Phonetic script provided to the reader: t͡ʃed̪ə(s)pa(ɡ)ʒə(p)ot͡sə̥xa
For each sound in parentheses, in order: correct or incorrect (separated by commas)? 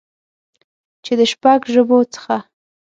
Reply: incorrect, correct, incorrect